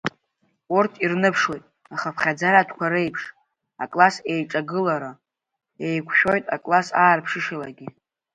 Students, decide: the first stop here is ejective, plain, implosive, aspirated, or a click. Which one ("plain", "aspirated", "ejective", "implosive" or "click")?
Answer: aspirated